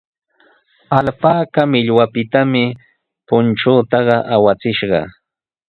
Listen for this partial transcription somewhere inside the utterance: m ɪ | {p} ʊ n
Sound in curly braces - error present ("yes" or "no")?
no